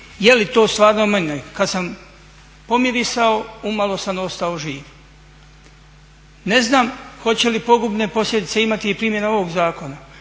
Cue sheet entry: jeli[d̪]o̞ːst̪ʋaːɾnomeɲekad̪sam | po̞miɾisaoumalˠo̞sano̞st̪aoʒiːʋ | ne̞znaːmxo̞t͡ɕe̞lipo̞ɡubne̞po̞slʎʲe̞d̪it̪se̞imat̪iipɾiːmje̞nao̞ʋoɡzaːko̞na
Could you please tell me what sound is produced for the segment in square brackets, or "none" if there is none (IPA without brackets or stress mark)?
t̪